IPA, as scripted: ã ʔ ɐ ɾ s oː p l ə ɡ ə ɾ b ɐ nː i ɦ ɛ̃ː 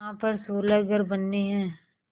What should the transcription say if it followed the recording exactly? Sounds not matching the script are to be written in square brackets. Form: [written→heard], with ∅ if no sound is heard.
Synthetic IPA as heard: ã [ʔ→p] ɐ ɾ s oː [p→∅] l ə ɡ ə ɾ b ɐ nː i ɦ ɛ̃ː